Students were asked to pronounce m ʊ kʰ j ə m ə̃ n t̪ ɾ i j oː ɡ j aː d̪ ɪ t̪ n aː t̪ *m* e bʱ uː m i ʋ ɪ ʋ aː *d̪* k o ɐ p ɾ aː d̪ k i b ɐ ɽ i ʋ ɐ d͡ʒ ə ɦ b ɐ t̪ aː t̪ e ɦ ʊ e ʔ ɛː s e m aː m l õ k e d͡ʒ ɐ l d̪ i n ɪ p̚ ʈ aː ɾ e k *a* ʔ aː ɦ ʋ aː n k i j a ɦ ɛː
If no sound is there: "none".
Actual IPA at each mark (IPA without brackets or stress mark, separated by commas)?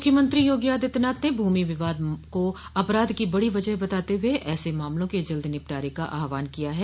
n, d̪, a